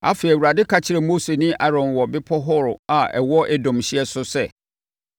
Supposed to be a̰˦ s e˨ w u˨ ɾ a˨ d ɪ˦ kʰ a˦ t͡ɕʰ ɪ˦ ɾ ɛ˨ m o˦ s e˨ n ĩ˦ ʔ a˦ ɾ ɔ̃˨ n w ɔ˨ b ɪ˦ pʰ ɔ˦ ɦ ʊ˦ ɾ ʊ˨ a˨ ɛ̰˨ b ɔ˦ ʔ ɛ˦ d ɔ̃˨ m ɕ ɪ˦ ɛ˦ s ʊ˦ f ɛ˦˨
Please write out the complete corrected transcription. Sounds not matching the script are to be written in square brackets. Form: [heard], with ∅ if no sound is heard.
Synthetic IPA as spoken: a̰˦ [f] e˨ w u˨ ɾ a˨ d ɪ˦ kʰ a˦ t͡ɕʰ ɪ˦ ɾ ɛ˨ m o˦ s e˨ n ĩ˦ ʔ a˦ ɾ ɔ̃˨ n w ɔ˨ b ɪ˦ pʰ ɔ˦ ɦ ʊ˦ ɾ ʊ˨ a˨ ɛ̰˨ [w] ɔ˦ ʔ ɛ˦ d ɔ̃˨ m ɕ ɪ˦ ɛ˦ s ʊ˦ [s] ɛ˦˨